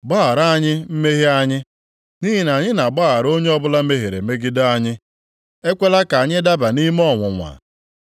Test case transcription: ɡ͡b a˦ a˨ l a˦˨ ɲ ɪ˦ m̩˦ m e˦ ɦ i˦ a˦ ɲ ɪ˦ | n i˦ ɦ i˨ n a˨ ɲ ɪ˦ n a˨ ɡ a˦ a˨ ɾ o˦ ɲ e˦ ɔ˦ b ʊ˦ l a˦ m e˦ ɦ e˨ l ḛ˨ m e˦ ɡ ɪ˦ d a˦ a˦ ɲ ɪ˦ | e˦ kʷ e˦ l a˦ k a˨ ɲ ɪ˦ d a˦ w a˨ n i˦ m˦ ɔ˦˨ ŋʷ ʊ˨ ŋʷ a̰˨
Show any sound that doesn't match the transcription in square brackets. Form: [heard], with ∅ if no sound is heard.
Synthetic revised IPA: ɡ͡b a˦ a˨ [ɾ] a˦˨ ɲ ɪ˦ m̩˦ m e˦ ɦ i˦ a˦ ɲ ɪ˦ | n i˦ ɦ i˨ n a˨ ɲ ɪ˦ n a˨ [ɡ͡b] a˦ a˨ ɾ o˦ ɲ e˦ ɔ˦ b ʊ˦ l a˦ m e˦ ɦ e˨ [ɾ] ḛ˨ m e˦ ɡ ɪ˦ d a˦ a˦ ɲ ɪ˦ | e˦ kʷ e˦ l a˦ k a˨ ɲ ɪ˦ d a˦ [b] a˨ n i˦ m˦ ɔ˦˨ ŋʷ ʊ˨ ŋʷ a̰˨

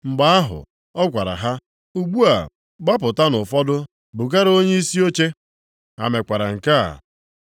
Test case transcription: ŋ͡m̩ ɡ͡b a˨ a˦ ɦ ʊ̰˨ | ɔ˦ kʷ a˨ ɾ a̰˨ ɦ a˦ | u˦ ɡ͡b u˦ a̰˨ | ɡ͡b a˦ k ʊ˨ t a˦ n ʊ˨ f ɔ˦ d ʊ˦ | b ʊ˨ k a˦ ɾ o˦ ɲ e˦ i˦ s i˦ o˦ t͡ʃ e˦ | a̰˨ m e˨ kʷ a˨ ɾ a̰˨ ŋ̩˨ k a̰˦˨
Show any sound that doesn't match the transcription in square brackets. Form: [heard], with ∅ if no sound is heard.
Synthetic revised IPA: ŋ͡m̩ ɡ͡b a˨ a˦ ɦ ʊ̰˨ | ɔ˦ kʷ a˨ ɾ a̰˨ ɦ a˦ | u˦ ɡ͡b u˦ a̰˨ | ɡ͡b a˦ [p] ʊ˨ t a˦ n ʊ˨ f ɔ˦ d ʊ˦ | b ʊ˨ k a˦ ɾ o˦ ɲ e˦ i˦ s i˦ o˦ t͡ʃ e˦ | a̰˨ m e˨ kʷ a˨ ɾ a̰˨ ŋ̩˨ k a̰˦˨

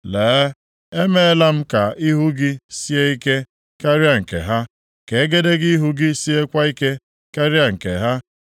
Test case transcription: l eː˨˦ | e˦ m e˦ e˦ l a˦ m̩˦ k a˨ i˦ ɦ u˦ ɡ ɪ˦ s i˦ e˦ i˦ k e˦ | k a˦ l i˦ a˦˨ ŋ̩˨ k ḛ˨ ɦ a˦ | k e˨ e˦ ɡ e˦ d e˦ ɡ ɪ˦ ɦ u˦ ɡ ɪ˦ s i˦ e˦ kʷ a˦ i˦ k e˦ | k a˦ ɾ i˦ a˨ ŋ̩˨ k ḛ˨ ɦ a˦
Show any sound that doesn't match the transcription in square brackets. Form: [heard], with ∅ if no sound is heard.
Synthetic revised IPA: l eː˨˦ | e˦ m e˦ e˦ l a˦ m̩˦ k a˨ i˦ ɦ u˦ ɡ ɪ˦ s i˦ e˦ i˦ k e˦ | k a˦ [ɾ] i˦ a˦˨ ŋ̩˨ k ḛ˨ ɦ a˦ | k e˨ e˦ ɡ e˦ d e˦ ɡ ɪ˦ ɦ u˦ ɡ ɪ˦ s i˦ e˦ kʷ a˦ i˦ k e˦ | k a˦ ɾ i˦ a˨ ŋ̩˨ k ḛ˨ ɦ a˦

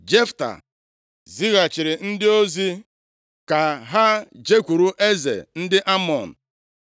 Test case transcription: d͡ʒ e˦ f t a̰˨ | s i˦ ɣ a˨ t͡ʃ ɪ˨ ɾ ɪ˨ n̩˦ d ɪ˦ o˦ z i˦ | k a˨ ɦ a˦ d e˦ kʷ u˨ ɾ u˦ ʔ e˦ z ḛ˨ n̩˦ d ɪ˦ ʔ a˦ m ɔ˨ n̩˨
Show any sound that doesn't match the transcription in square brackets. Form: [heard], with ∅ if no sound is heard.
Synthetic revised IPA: d͡ʒ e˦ f t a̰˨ | [z] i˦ ɣ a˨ t͡ʃ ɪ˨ ɾ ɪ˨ n̩˦ d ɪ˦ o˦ z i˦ | k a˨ ɦ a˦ [d͡ʒ] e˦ kʷ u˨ ɾ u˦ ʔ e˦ z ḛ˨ n̩˦ d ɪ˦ ʔ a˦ m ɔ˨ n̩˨

